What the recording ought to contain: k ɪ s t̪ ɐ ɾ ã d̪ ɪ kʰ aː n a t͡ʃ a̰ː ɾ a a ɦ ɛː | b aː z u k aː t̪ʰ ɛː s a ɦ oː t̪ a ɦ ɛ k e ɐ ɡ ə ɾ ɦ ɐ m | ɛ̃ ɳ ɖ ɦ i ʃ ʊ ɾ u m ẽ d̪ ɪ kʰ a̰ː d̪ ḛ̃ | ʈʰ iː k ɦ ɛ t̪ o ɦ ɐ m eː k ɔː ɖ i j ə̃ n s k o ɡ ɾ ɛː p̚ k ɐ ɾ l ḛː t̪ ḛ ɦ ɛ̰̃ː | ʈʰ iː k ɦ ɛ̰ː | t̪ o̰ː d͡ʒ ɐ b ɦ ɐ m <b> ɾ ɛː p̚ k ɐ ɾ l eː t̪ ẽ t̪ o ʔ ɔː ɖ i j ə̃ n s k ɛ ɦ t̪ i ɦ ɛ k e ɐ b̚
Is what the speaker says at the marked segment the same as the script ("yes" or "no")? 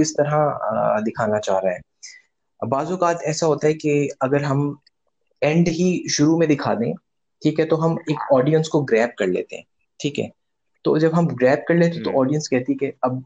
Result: no